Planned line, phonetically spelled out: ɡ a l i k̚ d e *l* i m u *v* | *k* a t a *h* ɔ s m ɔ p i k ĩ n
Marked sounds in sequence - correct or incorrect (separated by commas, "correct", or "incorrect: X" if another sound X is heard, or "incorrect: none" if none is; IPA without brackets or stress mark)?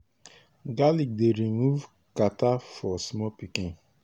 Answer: incorrect: ɾ, correct, correct, incorrect: f